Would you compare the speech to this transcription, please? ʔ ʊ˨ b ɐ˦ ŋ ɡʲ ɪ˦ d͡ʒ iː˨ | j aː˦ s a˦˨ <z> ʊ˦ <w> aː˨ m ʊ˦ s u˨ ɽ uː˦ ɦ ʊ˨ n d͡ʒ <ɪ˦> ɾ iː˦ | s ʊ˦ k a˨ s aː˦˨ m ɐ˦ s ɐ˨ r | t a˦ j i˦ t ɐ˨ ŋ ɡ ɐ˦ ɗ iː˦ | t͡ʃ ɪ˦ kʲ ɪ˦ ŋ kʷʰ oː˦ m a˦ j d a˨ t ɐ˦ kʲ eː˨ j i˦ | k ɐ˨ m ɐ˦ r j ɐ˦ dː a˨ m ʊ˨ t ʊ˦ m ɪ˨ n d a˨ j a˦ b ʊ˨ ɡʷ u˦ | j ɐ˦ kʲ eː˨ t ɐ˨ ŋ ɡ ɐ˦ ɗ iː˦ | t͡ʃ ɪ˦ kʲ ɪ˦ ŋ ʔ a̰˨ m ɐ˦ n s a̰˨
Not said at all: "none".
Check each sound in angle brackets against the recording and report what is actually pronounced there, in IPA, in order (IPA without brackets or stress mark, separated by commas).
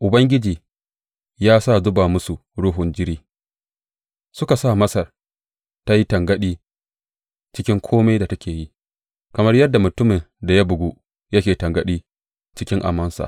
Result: z, b, ɪ˦